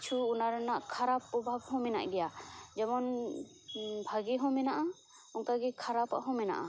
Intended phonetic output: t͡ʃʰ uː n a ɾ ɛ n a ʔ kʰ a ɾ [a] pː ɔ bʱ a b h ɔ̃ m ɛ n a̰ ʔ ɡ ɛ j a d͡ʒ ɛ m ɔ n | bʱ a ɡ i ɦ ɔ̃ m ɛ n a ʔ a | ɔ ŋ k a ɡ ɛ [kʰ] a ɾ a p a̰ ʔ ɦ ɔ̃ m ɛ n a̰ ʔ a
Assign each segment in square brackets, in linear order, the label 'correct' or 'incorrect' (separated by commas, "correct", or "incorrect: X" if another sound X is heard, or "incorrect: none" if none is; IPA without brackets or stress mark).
correct, correct